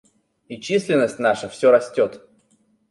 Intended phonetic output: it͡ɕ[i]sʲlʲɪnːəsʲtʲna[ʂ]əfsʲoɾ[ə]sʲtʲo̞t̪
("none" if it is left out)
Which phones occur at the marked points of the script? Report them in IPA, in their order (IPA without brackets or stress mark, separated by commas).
i, ʂ, ɐ